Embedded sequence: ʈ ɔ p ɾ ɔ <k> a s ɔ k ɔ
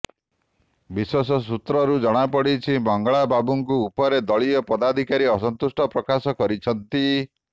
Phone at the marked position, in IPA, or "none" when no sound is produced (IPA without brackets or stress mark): k